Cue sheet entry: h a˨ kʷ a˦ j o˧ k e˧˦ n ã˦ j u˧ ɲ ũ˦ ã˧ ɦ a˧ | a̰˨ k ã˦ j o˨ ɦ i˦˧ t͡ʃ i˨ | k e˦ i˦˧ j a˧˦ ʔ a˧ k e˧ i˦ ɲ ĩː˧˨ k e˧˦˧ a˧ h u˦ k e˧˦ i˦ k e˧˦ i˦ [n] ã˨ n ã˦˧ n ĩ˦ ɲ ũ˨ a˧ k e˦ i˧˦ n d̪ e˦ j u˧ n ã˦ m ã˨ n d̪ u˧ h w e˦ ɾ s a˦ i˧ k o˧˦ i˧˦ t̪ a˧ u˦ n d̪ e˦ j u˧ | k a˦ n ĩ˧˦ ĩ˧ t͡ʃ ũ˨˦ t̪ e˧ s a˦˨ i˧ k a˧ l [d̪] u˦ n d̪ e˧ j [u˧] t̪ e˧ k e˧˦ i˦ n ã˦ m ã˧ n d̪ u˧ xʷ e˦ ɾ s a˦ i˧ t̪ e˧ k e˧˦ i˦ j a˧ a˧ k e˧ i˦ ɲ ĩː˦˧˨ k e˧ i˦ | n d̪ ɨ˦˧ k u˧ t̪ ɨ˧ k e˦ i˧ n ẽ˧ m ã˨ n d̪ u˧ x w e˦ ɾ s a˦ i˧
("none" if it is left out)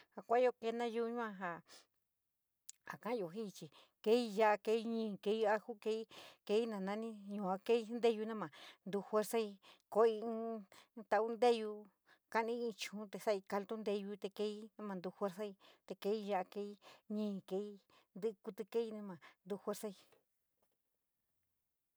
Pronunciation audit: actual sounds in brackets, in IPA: n, t̪, u˧

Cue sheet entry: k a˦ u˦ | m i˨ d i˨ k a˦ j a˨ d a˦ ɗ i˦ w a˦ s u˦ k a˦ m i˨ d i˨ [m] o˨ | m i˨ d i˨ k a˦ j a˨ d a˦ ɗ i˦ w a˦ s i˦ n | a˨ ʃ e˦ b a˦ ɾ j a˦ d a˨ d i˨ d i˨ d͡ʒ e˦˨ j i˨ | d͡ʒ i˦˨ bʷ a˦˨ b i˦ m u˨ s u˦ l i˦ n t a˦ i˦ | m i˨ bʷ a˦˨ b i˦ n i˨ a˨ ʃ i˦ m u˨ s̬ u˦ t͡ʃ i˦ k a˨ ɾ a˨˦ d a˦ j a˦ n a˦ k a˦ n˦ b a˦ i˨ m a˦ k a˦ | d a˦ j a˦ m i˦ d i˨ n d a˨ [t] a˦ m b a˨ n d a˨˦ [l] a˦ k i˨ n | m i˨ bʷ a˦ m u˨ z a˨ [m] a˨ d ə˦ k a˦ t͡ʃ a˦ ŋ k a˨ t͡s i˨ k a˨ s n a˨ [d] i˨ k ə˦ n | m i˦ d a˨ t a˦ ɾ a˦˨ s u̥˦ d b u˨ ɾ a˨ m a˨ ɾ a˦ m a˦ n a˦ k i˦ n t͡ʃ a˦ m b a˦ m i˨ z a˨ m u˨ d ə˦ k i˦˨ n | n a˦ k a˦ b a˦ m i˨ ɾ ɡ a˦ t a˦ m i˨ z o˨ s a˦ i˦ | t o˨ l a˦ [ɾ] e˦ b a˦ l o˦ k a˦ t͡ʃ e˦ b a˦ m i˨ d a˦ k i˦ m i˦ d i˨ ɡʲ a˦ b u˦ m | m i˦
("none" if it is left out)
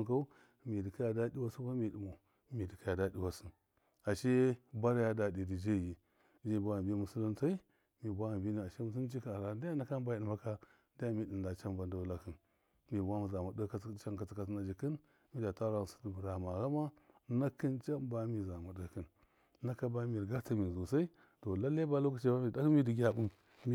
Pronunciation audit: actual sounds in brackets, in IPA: m, t͡ʃ, l, m, d͡ʒ, l

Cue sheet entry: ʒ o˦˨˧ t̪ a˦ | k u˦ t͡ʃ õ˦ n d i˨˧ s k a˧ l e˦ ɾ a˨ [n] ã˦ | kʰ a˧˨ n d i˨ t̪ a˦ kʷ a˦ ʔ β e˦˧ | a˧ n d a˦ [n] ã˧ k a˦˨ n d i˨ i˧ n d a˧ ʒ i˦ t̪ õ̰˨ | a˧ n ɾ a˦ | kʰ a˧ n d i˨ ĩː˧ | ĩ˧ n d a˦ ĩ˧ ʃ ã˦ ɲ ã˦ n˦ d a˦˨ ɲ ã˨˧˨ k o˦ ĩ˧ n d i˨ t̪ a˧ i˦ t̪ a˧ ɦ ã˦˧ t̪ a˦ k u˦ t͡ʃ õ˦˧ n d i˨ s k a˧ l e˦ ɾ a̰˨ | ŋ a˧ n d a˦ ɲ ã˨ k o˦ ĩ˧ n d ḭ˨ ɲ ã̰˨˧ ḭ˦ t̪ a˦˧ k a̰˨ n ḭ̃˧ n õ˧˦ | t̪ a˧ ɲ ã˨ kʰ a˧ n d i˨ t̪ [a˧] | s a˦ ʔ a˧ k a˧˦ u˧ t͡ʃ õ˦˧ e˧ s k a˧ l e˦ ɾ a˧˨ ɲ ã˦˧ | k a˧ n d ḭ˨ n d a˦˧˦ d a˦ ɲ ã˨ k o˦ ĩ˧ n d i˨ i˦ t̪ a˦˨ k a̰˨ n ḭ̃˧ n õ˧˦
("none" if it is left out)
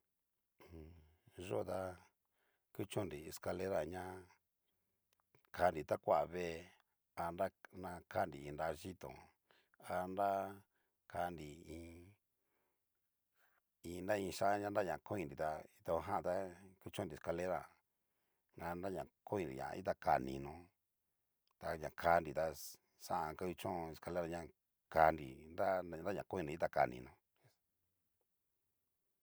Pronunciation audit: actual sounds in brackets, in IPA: ɲ, n, a˧

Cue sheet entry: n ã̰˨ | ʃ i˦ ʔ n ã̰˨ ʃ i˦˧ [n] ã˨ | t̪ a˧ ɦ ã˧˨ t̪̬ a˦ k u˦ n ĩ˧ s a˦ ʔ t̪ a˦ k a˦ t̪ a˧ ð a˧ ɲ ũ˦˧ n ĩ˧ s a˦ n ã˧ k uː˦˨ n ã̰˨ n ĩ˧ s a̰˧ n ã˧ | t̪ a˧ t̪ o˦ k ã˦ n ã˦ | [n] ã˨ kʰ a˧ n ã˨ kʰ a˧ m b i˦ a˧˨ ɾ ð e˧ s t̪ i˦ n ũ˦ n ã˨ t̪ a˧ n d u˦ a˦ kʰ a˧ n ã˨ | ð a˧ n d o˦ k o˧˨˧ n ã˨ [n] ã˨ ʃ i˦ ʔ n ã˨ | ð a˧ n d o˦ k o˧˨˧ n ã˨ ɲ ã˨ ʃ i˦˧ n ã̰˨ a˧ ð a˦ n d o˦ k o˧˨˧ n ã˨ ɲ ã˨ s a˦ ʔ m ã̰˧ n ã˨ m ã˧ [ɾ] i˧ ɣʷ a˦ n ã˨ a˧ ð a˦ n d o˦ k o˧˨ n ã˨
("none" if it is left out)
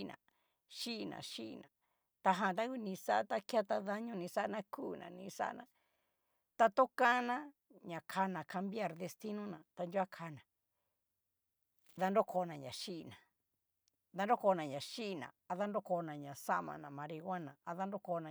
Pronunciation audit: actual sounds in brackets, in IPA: n, ɲ, ɲ, ɾ

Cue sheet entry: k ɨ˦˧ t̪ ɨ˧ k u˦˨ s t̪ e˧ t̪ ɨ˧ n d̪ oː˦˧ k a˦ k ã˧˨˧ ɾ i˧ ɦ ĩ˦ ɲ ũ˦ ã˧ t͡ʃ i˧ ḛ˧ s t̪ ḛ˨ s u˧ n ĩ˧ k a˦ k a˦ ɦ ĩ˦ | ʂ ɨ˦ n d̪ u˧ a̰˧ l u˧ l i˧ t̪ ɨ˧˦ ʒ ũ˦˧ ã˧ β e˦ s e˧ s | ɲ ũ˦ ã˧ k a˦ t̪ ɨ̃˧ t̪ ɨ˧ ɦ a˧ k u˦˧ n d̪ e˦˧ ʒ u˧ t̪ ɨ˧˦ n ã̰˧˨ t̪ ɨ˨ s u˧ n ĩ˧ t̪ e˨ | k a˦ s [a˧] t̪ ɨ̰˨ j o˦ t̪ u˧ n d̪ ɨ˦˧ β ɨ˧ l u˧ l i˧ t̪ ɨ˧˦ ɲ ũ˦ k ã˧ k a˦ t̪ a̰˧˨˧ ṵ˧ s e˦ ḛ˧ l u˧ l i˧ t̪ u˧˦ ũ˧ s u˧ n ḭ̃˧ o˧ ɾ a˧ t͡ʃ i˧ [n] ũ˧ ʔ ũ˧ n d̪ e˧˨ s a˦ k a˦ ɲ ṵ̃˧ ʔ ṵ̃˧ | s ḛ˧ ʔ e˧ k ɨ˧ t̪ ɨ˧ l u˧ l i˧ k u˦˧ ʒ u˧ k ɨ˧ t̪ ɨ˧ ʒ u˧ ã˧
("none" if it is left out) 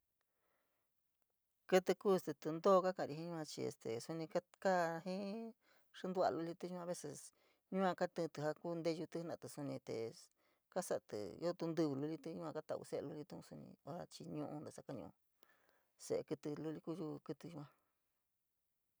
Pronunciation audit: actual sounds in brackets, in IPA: a˧, ɲ

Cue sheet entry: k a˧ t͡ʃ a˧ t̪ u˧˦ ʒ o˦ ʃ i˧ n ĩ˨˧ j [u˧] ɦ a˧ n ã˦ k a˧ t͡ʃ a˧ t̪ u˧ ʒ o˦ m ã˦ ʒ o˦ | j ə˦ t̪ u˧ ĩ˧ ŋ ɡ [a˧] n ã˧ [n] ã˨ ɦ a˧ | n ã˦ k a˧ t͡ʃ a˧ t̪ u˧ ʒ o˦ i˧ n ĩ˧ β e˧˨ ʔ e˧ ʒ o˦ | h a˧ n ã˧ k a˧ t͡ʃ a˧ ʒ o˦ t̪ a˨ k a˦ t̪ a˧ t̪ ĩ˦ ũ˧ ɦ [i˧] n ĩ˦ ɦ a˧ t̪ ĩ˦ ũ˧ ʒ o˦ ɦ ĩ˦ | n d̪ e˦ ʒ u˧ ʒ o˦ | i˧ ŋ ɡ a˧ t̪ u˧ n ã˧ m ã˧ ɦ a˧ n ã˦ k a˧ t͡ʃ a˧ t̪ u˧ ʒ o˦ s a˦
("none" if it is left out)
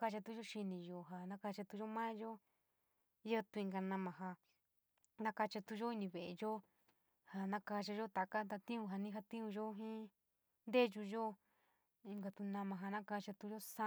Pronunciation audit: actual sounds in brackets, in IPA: o˧, a˧, m, a˧

